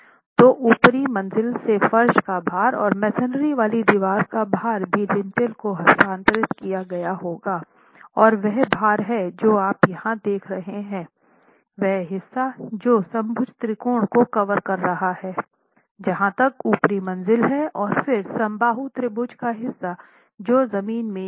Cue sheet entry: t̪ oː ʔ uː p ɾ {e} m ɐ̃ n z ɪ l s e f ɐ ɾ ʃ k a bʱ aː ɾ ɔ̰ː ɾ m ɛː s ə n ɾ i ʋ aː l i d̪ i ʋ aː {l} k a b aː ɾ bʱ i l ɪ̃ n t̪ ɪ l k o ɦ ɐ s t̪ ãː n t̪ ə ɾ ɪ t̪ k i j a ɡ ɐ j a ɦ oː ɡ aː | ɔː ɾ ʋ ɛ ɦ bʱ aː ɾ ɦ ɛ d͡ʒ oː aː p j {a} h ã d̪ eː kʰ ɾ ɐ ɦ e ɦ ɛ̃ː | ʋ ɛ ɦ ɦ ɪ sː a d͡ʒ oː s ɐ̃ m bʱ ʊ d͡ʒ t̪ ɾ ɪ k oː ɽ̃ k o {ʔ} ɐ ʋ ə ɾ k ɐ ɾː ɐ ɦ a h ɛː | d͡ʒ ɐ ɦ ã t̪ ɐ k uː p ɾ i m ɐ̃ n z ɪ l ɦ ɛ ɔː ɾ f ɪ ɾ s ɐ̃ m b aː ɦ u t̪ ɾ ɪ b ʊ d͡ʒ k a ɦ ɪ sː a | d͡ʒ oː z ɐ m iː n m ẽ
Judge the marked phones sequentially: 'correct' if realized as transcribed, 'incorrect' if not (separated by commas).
incorrect, incorrect, incorrect, incorrect